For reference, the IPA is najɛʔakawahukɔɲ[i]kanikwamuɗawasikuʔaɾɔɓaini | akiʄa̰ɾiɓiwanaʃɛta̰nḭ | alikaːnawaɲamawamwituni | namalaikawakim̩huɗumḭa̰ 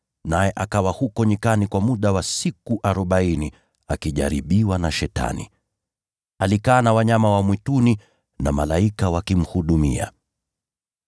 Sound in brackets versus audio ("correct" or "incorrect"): correct